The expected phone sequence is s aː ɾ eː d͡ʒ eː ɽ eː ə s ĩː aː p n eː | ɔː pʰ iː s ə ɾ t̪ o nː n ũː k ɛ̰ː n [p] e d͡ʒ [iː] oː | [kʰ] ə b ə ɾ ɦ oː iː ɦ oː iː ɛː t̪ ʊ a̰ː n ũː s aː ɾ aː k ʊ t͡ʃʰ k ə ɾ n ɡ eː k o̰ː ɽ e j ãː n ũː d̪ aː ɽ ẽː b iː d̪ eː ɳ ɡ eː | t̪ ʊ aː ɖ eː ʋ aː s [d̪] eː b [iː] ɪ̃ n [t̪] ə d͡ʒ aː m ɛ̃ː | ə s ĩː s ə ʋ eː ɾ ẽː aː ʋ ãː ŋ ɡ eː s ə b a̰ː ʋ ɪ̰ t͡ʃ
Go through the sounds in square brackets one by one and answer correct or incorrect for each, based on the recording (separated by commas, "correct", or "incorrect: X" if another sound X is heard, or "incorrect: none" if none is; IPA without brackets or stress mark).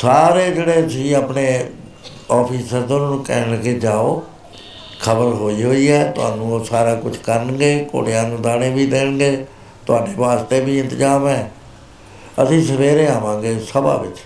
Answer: incorrect: k, incorrect: aː, correct, incorrect: t̪, correct, correct